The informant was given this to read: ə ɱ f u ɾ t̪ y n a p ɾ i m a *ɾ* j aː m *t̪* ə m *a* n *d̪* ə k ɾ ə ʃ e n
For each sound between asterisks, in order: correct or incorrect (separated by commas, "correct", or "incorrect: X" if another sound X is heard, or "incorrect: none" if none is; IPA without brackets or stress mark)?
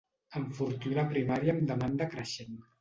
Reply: correct, incorrect: d̪, correct, correct